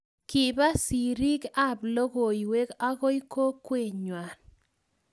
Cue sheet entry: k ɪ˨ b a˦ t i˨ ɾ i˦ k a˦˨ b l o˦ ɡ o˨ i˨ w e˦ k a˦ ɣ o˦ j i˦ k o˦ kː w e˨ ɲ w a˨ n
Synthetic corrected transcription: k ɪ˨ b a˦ s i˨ ɾ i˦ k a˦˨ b l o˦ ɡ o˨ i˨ w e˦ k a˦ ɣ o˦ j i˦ k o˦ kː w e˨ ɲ w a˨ n

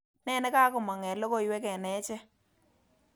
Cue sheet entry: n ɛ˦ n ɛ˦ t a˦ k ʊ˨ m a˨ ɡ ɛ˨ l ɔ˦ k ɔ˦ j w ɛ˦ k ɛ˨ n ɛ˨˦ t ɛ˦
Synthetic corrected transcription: n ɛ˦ n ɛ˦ k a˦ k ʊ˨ m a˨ ŋ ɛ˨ l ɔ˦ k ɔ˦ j w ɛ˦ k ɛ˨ n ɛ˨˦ t͡ʃ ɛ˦

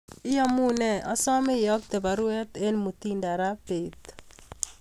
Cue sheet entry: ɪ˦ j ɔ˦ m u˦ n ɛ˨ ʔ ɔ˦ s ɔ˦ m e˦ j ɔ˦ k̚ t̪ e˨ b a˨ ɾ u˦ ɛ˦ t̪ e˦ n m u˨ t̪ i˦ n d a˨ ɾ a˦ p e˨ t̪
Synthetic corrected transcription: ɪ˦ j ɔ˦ m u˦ n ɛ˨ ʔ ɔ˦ s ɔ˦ m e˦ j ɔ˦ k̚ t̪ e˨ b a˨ ɾ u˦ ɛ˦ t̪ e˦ n m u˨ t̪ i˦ n d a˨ ɾ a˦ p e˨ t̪

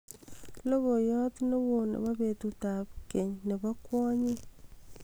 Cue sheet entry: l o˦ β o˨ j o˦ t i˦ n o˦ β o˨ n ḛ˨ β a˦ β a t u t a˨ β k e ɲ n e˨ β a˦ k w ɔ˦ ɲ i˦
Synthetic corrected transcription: l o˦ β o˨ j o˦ t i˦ n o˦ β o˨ n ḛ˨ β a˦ β e t u t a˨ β k e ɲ n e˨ β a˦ k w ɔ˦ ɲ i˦

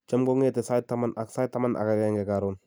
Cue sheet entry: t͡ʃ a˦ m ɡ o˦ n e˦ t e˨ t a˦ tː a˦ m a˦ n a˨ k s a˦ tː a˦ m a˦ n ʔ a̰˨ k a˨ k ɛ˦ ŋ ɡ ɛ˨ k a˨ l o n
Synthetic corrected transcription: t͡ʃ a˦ m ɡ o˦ ŋ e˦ t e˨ s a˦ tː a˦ m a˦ n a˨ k s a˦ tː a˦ m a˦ n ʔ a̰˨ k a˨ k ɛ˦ ŋ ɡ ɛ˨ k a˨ ɾ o n

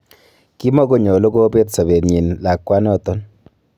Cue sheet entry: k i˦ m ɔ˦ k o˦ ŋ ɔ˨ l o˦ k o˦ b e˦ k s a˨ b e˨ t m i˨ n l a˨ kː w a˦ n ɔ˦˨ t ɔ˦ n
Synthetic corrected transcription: k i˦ m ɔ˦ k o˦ ɲ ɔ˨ l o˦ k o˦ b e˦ t s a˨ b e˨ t ɲ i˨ n l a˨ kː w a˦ n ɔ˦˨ t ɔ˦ n

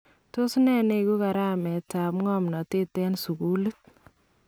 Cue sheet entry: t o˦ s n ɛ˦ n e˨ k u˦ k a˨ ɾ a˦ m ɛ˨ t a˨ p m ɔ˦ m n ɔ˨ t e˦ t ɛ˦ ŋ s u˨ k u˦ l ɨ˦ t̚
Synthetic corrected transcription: t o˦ s n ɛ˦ n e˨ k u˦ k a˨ ɾ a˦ m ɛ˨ t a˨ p ŋ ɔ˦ m n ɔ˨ t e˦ t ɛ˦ n s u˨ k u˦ l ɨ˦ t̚

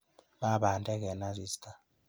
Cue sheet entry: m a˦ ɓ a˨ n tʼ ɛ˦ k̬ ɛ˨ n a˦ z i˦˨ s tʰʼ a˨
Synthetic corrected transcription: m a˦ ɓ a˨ n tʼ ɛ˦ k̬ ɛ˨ n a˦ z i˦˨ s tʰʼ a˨

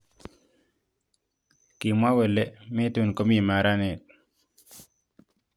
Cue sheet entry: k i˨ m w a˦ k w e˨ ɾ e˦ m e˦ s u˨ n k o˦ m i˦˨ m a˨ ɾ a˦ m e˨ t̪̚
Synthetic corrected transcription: k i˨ m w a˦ w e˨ l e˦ m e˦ t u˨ n k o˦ m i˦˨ m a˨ ɾ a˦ n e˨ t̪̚

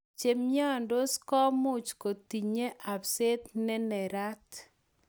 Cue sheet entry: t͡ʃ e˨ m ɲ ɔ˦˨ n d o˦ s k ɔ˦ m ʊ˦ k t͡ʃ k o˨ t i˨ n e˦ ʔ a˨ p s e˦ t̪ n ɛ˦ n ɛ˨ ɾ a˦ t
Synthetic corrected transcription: t͡ʃ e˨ m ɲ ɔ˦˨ n d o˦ s k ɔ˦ m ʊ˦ t͡ʃ k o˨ t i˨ ɲ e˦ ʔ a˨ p s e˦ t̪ n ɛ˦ n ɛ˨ ɾ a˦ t

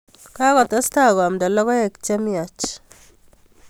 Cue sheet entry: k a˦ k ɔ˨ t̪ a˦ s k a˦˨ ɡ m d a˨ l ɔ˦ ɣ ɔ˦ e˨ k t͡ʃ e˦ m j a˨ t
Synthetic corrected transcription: k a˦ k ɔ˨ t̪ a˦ s t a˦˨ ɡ m d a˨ l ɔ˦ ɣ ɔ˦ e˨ k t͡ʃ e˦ m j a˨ t͡ʃ

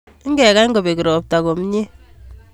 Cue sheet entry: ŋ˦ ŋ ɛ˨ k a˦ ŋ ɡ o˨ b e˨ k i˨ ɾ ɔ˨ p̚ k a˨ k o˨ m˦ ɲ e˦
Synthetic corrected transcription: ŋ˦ ɡ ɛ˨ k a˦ ŋ ɡ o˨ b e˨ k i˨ ɾ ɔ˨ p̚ t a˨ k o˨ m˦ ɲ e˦

